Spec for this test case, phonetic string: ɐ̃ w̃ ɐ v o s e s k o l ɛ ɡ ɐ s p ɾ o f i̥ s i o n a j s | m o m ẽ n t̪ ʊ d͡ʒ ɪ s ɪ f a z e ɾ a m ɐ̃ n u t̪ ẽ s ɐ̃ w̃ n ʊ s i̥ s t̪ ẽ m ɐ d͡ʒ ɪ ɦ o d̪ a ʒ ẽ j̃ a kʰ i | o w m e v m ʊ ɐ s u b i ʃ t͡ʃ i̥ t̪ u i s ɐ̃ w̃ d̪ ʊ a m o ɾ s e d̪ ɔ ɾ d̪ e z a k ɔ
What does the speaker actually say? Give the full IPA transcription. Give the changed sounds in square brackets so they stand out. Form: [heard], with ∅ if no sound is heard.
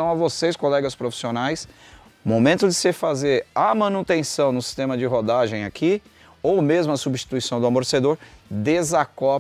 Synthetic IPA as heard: ɐ̃ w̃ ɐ v o s e s k o l ɛ ɡ ɐ s p ɾ o f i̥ s i o n a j s | m o m ẽ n t̪ ʊ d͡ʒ ɪ s ɪ f a z e ɾ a m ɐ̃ n u t̪ ẽ s ɐ̃ w̃ n ʊ s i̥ s t̪ ẽ m ɐ d͡ʒ ɪ ɦ o d̪ a ʒ ẽ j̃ a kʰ i | o w m e [z] m ʊ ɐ s u b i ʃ t͡ʃ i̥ t̪ u i s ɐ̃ w̃ d̪ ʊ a m o ɾ s e d̪ [o] ɾ d̪ e z a k ɔ